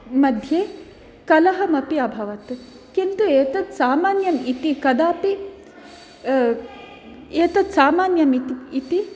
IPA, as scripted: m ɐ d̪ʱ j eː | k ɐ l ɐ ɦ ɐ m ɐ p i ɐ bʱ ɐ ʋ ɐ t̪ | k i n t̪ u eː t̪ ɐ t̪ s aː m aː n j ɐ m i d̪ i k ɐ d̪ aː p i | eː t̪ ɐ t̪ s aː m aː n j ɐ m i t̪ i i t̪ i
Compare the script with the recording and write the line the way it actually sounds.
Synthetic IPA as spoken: m ɐ d̪ʱ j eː | k ɐ l ɐ ɦ ɐ m ɐ p i ɐ bʱ ɐ ʋ ɐ t̪ | k i n t̪ u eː t̪ ɐ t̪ s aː m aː n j ɐ m i t̪ i k ɐ d̪ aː p i | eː t̪ ɐ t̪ s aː m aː n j ɐ m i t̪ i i t̪ i

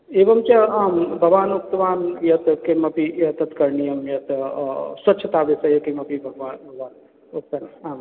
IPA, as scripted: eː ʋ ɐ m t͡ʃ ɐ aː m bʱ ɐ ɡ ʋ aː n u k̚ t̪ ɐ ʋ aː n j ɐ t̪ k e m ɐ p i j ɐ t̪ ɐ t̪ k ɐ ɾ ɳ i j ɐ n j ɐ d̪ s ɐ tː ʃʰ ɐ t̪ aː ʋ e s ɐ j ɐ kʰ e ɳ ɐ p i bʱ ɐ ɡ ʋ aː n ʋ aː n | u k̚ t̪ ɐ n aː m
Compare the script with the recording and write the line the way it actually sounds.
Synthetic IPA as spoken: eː ʋ ɐ m t͡ʃ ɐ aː m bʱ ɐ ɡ ʋ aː n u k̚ t̪ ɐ ʋ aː n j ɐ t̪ k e m ɐ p i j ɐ t̪ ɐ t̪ k ɐ ɾ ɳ i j ɐ m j ɐ t̪ s ɐ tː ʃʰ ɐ t̪ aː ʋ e s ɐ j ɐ k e m ɐ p i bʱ ɐ ɡ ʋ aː n ʋ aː n | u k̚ t̪ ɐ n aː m

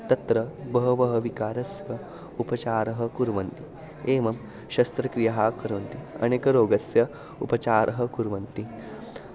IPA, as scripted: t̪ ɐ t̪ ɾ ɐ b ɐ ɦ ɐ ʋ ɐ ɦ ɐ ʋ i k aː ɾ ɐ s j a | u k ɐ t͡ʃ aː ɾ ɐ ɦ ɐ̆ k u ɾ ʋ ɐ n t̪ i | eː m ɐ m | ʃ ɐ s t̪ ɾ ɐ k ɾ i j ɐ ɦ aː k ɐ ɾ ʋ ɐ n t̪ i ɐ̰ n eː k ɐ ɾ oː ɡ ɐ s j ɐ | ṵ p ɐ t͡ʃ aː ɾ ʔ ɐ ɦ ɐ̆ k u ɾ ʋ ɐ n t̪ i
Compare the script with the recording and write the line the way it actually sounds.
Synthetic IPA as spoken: t̪ ɐ t̪ ɾ ɐ b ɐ ɦ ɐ ʋ ɐ ɦ ɐ ʋ i k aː ɾ ɐ s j ɐ | u p ɐ t͡ʃ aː ɾ ɐ ɦ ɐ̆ k u ɾ ʋ ɐ n t̪ i | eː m ɐ m | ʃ ɐ s t̪ ɾ ɐ k ɾ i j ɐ ɦ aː k ɐ ɾ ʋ ɐ n t̪ i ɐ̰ n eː k ɐ ɾ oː ɡ ɐ s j ɐ | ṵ p ɐ t͡ʃ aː ɾ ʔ ɐ ɦ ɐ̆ k u ɾ ʋ ɐ n t̪ i

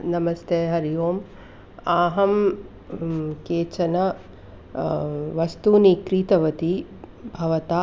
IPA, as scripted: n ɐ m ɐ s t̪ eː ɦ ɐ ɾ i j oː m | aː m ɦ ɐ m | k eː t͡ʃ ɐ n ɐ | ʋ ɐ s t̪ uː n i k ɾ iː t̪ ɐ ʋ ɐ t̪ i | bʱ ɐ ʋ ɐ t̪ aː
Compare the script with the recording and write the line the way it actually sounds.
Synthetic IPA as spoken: n ɐ m ɐ s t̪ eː ɦ ɐ ɾ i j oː m | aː ɦ ɐ m | k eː t͡ʃ ɐ n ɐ | ʋ ɐ s t̪ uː n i k ɾ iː t̪ ɐ ʋ ɐ t̪ i | bʱ ɐ ʋ ɐ t̪ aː

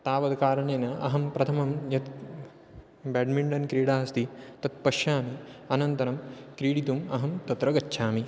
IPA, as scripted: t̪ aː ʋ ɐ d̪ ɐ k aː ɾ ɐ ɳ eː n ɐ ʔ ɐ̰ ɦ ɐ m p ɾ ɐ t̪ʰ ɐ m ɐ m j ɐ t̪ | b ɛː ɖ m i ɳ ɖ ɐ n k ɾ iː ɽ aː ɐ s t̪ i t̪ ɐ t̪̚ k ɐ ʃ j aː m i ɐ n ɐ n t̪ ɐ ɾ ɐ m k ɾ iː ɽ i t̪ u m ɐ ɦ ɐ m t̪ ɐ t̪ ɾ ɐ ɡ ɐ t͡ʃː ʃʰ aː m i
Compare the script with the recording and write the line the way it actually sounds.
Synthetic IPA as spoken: t̪ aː ʋ ɐ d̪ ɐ k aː ɾ ɐ ɳ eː n ɐ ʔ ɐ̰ ɦ ɐ m p ɾ ɐ t̪ʰ ɐ m ɐ m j ɐ t̪ | b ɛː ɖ m i ɳ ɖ ɐ n k ɾ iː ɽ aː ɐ s t̪ i t̪ ɐ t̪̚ p ɐ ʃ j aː m i ɐ n ɐ n t̪ ɐ ɾ ɐ m k ɾ iː ɽ i t̪ u m ɐ ɦ ɐ m t̪ ɐ t̪ ɾ ɐ ɡ ɐ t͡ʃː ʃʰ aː m i

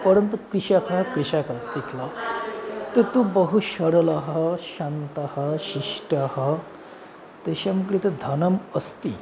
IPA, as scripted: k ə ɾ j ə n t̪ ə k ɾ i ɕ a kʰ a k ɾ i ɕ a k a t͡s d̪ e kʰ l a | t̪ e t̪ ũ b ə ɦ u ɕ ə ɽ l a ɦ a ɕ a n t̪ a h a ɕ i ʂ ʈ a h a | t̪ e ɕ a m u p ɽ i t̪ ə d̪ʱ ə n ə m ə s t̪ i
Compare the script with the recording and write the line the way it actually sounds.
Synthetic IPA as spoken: p ə ɾ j ə n t̪ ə k ɾ i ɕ a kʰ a k ɾ i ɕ a k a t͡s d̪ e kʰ l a | t̪ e t̪ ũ b ə ɦ u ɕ ə ɽ l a ɦ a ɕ a n t̪ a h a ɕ i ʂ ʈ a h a | t̪ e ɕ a m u k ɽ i t̪ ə d̪ʱ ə n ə m ə s t̪ i

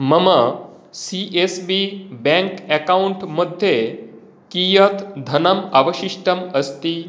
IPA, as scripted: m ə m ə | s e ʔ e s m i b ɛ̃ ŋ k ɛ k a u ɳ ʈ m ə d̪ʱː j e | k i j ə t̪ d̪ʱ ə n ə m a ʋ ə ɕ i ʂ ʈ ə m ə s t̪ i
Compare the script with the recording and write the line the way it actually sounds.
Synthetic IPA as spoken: m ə m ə | s i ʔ e s b i b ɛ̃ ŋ k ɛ k a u ɳ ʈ m ə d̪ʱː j e | k i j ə t̪ d̪ʱ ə n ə m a ʋ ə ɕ i ʂ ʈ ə m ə s t̪ i

